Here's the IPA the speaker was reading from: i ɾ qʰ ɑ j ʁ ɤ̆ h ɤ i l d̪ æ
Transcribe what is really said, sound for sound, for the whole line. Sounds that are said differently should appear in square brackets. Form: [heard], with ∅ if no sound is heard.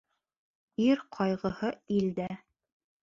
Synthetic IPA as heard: i ɾ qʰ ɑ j ʁ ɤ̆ h ɤ i l d̪ æ